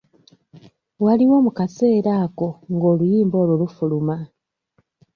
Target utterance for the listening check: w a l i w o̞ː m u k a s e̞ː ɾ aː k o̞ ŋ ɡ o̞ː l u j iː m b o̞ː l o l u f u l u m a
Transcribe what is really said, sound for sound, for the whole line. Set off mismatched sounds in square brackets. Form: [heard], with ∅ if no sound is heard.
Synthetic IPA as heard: w a l i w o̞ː m u k a s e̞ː ɾ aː k o̞ ŋ ɡ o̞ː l u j iː m b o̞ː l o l u f u l u m a